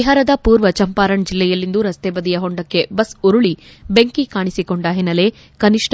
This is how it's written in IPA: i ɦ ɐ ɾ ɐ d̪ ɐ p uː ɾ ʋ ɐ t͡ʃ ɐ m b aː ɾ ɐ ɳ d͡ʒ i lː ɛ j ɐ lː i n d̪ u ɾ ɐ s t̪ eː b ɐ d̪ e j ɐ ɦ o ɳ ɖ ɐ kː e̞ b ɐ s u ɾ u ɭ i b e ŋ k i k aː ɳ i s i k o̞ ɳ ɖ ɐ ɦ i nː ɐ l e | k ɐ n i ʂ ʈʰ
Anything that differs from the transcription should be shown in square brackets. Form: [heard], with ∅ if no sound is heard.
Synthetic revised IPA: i ɦ ɐ ɾ ɐ d̪ ɐ p uː ɾ ʋ ɐ t͡ʃ ɐ m [p] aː ɾ ɐ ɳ d͡ʒ i lː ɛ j ɐ lː i n d̪ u ɾ ɐ s t̪ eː b ɐ d̪ [i] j ɐ ɦ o ɳ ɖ ɐ kː e̞ b ɐ s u ɾ u ɭ i b e ŋ k i k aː ɳ i s i k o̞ ɳ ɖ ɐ ɦ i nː ɐ l e | k ɐ n i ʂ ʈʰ